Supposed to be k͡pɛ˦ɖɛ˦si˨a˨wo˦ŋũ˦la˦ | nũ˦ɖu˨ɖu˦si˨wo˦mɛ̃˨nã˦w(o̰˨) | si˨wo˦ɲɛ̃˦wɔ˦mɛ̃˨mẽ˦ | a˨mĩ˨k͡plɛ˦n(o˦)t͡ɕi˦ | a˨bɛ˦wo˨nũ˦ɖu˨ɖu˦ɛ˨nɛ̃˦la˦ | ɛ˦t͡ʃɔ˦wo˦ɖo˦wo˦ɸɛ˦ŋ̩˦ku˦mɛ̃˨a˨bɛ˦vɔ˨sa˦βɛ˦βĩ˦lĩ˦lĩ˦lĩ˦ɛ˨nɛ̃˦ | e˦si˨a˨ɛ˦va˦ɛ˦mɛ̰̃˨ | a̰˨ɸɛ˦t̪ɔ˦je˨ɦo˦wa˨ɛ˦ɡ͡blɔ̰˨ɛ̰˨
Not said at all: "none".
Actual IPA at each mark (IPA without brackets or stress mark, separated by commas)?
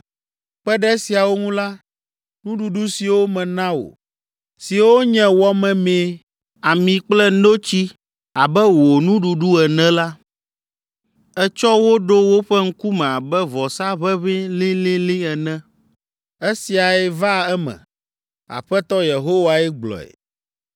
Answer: o̰˨, o˦